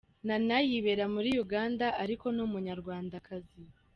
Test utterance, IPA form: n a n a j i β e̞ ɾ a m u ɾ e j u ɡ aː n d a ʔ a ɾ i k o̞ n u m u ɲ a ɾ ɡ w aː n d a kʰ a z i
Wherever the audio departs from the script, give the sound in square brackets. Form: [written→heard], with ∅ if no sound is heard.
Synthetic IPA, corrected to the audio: n a n a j i β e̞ ɾ a m u ɾ [e→i] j u ɡ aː n d a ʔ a ɾ i k o̞ n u m u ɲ a ɾ ɡ w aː n d a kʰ a z i

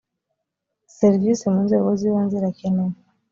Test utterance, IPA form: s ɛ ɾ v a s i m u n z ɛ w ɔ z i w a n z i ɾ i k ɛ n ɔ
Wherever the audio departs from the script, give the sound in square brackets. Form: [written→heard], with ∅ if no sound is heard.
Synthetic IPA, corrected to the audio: s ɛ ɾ v [a→i] s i m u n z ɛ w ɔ z i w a n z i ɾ [i→a] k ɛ n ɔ

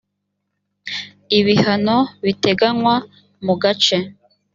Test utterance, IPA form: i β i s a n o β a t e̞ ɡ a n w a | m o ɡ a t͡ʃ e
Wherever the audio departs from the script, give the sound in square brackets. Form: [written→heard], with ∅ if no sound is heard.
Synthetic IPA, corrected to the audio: i β i [s→h] a n o β [a→i] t e̞ ɡ a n w a | m [o→u] ɡ a t͡ʃ e

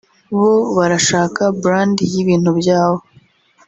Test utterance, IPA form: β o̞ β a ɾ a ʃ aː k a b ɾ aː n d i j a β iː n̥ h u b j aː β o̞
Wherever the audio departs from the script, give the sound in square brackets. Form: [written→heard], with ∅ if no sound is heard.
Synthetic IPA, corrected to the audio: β o̞ β a ɾ a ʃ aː k a b ɾ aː n d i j [a→i] β iː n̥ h u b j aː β o̞

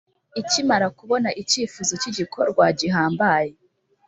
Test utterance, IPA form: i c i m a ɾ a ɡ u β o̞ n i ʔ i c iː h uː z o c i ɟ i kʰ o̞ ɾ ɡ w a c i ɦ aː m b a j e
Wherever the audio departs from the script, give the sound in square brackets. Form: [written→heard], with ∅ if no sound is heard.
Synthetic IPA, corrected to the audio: i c i m a ɾ a [ɡ→k] u β o̞ n [i→a] ʔ i c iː [h→f] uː z o c i ɟ i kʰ o̞ ɾ ɡ w a [c→ɟ] i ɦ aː m b a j e

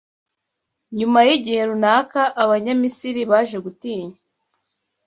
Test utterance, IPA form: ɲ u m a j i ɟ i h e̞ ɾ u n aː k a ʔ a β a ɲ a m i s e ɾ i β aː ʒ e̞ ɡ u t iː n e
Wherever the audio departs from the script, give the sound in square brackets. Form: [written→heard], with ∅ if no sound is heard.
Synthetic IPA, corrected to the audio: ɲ u m a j i ɟ i h e̞ ɾ u n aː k a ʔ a β a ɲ a m i s [e→i] ɾ i β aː ʒ e̞ ɡ u t iː [n→ɲ] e

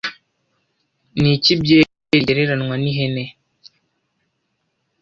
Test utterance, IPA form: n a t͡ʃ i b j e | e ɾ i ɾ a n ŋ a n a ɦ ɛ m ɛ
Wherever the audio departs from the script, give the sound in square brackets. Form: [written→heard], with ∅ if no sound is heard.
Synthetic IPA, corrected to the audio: n [a→i] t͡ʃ i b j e | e ɾ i ɾ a n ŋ a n [a→i] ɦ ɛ [m→n] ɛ

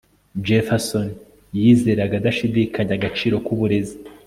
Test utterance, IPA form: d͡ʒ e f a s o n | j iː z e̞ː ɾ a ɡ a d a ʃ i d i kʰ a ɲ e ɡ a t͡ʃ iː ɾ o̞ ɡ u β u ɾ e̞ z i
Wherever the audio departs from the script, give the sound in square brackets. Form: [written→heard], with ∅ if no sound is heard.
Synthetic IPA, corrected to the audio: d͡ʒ e f a s o n | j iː z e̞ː ɾ a ɡ a d a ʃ i d i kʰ a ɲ [e→a] ɡ a t͡ʃ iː ɾ o̞ [ɡ→k] u β u ɾ e̞ z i

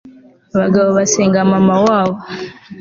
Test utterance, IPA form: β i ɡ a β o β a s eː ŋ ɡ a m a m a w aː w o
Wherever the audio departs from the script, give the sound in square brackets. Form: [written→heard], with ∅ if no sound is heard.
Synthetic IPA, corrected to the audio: β [i→a] ɡ a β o β a s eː ŋ ɡ a m a m a w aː [w→β] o

